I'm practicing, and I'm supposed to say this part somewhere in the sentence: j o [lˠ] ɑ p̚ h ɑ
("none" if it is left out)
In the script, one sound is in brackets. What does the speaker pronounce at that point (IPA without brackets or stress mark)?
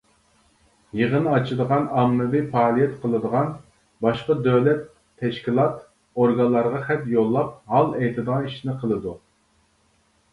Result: lˠː